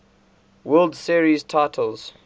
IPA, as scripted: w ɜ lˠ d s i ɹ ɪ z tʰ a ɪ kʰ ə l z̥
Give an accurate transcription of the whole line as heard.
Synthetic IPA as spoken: w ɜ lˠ d s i ɹ i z tʰ a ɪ tʰ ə l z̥